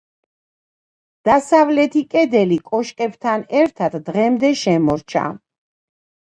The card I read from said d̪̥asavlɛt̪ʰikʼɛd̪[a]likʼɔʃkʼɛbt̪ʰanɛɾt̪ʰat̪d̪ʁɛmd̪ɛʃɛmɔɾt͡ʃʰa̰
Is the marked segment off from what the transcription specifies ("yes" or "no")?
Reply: yes